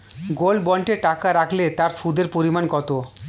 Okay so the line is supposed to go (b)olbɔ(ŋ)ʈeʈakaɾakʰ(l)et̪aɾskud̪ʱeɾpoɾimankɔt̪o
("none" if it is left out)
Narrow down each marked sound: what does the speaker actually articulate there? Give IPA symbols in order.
ɡ, ɳ, l

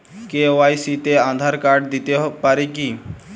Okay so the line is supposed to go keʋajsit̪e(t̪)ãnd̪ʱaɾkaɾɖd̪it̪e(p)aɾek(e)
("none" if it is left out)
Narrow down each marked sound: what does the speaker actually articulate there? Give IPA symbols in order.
none, p, i

